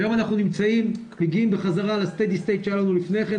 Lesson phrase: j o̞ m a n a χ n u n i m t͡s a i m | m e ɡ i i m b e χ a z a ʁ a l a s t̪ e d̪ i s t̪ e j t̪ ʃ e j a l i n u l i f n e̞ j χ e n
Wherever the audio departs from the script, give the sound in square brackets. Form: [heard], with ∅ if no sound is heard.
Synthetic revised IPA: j o̞ m a n a χ n u n i m t͡s a i m | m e ɡ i i m b e χ a z a ʁ a l a s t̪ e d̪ i s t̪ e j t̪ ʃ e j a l [a] n u l i f n e̞ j χ e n